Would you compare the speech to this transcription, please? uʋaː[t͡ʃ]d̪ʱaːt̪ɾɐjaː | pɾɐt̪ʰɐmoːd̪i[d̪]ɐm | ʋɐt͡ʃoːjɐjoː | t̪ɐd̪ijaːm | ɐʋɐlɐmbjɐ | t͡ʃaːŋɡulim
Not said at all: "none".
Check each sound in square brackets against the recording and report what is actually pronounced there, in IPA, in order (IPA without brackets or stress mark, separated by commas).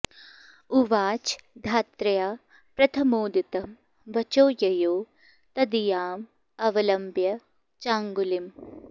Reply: t͡ʃ, t̪